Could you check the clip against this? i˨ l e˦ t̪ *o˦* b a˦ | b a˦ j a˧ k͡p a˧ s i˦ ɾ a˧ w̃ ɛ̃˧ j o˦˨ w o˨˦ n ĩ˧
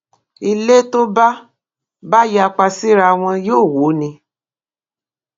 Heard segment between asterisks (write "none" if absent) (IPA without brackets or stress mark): o˦